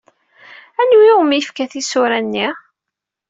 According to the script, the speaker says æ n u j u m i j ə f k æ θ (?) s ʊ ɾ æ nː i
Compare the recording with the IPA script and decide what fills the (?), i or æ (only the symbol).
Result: i